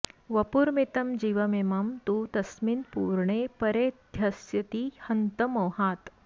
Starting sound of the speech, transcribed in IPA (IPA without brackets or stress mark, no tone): ʋ